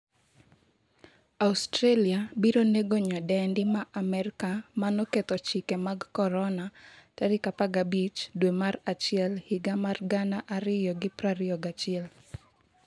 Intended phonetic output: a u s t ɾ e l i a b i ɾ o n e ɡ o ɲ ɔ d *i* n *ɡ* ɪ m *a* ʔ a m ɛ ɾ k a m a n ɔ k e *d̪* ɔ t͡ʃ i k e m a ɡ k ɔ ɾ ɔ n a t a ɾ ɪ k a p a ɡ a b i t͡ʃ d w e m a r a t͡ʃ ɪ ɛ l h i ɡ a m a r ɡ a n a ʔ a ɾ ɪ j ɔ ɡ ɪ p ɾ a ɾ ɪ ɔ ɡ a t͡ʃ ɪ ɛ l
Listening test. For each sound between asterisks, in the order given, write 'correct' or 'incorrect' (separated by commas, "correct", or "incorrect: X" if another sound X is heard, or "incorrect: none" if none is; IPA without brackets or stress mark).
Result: incorrect: ɛ, incorrect: d, correct, incorrect: t̪